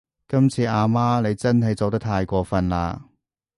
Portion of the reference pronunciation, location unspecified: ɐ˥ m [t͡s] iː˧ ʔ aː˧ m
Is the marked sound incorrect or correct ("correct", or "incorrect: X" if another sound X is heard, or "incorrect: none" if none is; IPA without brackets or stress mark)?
incorrect: t͡sʰ